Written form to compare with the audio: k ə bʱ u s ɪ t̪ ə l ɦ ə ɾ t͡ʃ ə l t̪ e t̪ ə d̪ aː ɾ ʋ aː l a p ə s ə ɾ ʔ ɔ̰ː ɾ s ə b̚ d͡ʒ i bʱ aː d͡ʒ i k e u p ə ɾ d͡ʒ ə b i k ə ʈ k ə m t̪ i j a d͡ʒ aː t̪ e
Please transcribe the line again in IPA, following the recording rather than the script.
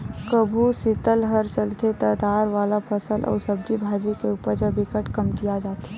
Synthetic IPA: k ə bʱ u s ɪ t̪ ə l ɦ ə ɾ t͡ʃ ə l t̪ e t̪ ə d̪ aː ɾ ʋ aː l a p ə s ə l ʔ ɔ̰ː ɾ s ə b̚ d͡ʒ i bʱ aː d͡ʒ i k e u p ə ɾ d͡ʒ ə b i k ə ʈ k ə m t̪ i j a d͡ʒ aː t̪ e

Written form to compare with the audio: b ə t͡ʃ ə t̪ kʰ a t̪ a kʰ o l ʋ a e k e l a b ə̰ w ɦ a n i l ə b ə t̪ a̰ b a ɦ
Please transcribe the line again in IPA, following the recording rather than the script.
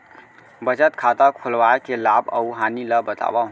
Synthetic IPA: b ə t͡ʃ ə t̪ kʰ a t̪ a kʰ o l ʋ a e k e l a b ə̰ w ɦ a n i l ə b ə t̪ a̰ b a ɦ

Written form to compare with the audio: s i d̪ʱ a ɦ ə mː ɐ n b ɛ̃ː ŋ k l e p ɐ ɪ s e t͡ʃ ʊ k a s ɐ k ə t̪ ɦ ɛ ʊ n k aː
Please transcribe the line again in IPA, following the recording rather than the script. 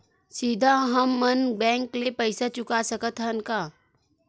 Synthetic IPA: s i d̪ʱ a ɦ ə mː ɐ n b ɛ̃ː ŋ k l e p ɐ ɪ s a t͡ʃ ʊ k a s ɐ k ə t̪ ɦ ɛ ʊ n k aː

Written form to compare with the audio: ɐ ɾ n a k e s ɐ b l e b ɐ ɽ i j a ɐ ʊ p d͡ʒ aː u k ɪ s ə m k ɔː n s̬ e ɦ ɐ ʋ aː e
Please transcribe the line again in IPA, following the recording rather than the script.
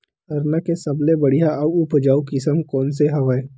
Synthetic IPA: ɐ ɾ n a k e s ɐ b l e b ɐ ɽ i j a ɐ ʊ p d͡ʒ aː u k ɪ s ə m k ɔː n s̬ e ɦ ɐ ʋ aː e

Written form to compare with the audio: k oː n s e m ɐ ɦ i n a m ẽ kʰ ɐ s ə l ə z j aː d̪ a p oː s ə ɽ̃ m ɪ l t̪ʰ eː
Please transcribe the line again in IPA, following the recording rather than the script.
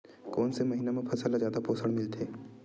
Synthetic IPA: k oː n s e m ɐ ɦ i n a m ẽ pʰ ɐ s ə l a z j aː d̪ a p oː s ə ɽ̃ m ɪ l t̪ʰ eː

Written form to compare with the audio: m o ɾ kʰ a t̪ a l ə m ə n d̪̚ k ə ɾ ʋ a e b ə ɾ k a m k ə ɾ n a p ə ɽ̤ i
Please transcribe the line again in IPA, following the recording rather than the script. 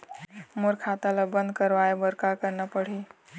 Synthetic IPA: m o ɾ kʰ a t̪ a l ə b ə n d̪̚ k ə ɾ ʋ a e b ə ɾ k a k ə ɾ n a p ə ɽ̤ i

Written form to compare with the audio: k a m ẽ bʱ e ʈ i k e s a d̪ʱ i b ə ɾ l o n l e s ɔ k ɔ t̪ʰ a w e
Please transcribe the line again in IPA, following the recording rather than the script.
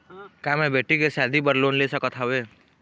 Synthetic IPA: k a m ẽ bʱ e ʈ i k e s a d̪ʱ i b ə ɾ l o n l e s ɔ k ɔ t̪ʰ a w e

